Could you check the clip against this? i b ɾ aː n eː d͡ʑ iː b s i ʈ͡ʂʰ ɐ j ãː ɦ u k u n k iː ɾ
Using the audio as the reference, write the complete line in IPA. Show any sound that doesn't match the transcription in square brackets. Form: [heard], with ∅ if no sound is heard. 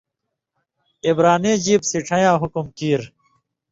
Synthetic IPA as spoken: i b ɾ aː n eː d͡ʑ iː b s i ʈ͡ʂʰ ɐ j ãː ɦ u k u [m] k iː ɾ